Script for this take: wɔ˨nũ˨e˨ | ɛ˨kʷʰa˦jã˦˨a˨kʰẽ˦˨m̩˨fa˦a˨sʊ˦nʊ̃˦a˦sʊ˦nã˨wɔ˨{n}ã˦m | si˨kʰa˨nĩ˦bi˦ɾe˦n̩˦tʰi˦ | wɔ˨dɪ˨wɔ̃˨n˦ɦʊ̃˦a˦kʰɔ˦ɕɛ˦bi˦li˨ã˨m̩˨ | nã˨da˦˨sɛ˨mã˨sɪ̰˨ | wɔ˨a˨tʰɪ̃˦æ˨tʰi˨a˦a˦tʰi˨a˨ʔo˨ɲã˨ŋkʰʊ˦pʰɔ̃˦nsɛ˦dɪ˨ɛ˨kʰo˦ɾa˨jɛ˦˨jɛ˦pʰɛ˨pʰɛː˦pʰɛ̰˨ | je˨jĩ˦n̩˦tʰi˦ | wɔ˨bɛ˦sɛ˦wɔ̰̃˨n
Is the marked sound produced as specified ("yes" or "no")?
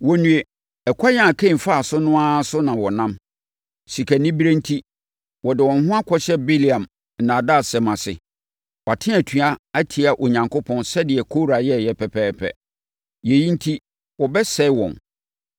yes